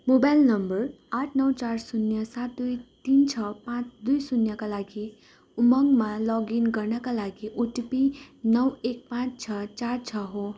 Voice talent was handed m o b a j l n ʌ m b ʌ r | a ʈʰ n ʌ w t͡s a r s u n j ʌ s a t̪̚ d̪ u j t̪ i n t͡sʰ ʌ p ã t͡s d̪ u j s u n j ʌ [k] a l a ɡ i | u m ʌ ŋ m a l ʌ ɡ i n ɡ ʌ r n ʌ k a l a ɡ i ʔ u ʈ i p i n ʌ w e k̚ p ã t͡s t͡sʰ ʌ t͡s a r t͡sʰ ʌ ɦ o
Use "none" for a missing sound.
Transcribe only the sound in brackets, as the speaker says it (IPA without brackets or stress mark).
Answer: k